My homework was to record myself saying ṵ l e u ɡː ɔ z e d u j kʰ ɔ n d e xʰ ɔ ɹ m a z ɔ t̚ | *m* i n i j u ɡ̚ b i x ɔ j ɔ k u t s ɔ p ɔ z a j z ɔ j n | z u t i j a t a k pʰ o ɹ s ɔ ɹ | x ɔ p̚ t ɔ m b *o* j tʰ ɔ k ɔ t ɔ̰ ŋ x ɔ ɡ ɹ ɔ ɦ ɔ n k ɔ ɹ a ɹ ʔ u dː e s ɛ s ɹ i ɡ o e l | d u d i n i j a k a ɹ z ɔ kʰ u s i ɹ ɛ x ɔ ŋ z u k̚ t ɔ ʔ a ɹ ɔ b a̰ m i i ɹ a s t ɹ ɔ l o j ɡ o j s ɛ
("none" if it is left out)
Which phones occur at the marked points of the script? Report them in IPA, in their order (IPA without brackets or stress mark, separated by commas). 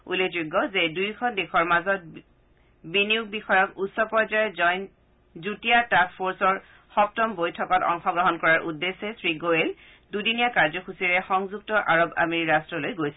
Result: b, o